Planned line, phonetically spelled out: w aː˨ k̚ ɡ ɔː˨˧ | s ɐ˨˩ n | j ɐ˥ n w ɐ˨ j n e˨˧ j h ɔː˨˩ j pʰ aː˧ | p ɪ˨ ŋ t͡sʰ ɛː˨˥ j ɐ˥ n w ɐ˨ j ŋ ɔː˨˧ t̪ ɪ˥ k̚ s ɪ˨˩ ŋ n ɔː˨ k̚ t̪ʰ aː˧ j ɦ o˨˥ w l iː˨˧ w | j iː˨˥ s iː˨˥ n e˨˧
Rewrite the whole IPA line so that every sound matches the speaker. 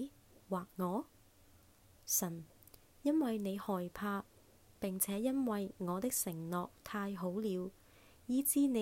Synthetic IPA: w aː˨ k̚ ŋ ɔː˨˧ | s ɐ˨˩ n | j ɐ˥ n w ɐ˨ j n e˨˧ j h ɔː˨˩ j pʰ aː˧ | p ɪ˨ ŋ t͡sʰ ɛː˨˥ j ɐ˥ n w ɐ˨ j ŋ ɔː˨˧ t̪ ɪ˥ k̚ s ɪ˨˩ ŋ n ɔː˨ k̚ t̪ʰ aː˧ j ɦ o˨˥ w l iː˨˧ w | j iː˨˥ t͡s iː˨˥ n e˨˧